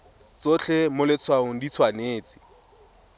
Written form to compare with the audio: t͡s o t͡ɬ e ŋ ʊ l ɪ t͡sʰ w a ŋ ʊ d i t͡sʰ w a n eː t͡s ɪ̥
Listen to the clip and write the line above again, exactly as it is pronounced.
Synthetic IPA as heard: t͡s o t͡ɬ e m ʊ l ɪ t͡sʰ w a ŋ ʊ d i t͡sʰ w a n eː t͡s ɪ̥